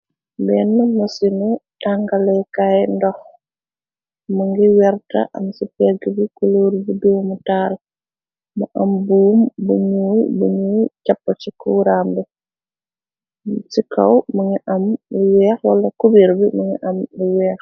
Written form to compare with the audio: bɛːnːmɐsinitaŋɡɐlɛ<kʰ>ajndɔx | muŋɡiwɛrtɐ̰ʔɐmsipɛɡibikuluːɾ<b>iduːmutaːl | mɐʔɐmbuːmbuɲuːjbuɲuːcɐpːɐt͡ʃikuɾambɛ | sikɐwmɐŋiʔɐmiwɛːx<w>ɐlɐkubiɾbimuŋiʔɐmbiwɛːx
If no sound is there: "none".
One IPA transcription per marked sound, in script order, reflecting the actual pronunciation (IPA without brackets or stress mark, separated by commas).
k, b, w